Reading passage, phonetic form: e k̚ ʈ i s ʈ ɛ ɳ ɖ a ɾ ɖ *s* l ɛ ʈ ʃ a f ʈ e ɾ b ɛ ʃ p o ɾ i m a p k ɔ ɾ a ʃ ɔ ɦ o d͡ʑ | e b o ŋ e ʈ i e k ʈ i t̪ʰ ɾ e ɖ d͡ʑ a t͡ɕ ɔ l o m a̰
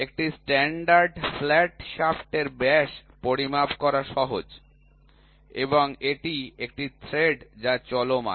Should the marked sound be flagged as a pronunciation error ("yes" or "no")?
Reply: yes